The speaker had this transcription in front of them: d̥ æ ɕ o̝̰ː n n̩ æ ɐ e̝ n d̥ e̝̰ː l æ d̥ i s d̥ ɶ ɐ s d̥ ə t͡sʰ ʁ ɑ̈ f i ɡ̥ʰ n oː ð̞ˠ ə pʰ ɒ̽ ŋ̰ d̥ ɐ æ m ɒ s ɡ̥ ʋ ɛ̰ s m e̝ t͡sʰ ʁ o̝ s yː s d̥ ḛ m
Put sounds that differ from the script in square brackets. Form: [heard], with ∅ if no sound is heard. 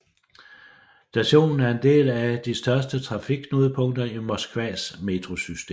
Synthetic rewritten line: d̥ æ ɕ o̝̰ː n n̩ æ ɐ e̝ n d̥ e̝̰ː l æ d̥ i s d̥ ɶ ɐ s d̥ ə t͡sʰ ʁ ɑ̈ f i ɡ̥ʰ n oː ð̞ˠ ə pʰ [ɔ̽] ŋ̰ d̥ ɐ [i] m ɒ s ɡ̥ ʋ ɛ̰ s m e̝ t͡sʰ ʁ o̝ s [y] s d̥ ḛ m